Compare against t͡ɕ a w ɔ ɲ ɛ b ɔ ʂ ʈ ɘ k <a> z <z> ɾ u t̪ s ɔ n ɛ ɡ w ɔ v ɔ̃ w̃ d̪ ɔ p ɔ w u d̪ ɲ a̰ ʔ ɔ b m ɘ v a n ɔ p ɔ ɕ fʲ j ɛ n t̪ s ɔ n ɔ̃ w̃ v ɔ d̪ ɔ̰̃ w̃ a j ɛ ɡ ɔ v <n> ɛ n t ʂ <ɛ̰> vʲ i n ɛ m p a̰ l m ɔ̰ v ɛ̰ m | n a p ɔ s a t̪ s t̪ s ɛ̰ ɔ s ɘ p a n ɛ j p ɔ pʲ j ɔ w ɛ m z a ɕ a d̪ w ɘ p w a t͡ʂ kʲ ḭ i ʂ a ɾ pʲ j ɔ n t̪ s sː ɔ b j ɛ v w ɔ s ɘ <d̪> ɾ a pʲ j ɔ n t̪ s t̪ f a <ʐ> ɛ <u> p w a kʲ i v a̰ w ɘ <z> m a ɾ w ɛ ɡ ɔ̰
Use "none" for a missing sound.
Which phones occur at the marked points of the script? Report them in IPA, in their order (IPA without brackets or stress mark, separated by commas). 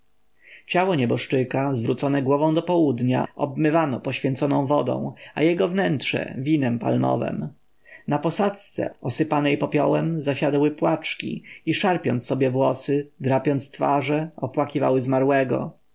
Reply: a, v, n, ɛ̰, d̪, ʐ, ɔ, z